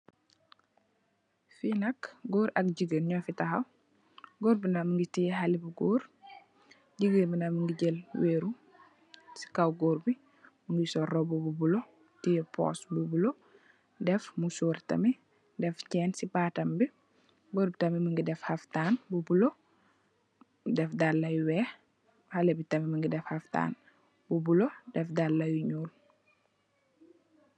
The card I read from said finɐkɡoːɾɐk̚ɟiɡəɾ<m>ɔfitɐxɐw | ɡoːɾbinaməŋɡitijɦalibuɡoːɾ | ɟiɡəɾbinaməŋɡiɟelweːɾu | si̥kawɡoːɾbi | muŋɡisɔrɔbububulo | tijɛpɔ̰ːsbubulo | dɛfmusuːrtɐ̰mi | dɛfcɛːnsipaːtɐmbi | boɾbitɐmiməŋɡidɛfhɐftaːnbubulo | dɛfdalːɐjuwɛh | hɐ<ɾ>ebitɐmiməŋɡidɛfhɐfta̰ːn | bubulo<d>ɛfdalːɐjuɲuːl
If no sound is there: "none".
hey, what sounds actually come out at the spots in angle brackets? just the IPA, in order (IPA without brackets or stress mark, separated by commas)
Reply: ɲ, l, d